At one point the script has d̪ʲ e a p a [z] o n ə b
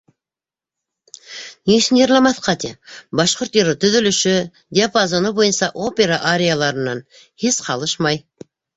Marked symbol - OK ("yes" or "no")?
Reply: yes